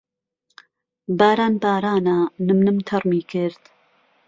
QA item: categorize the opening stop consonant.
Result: plain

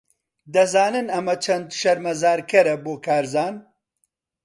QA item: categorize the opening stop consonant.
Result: plain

